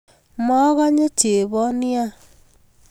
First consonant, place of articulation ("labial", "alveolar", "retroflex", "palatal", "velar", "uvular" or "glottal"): labial